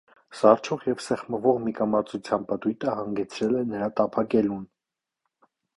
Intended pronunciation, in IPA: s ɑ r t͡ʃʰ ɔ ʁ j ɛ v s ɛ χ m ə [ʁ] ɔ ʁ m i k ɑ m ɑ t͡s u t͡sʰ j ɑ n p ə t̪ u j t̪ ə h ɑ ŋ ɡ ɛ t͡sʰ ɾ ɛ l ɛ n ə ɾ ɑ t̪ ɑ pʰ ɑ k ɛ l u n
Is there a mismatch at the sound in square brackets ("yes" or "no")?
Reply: yes